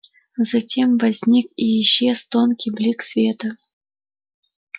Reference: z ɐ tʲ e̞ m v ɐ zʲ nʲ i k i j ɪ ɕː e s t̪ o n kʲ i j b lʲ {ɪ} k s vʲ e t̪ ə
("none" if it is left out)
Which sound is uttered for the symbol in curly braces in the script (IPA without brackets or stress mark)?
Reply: i